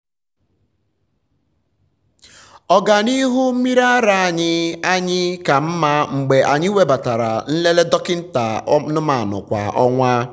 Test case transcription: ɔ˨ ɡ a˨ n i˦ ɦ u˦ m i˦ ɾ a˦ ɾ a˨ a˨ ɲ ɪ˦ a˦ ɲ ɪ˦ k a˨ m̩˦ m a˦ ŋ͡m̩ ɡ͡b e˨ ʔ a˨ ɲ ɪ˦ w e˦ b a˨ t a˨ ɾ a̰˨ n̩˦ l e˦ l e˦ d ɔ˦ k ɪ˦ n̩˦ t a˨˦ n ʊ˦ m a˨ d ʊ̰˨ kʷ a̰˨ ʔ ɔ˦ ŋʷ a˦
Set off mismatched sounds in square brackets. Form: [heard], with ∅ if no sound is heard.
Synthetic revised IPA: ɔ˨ ɡ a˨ n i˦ ɦ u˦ m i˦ ɾ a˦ ɾ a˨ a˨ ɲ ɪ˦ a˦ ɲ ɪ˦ k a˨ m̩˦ m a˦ ŋ͡m̩ ɡ͡b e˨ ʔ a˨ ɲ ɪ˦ w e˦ b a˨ t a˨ ɾ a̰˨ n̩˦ l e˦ l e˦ d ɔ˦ k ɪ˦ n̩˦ t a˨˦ n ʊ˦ m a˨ [n] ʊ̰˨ kʷ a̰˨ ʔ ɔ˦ ŋʷ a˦